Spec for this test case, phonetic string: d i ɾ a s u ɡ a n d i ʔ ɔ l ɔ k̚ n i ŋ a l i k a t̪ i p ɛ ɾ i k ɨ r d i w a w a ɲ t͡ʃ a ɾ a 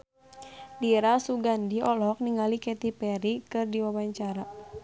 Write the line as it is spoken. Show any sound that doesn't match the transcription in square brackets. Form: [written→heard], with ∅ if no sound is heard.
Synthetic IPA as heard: d i ɾ a s u ɡ a n d i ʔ ɔ l ɔ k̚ n i ŋ a l i k [a→ɛ] t̪ i p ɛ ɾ i k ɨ r d i w a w a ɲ t͡ʃ a ɾ a